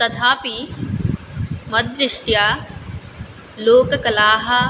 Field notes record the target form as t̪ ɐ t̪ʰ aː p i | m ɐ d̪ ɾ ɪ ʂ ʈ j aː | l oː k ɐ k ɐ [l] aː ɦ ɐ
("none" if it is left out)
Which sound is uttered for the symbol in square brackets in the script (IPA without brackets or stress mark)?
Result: l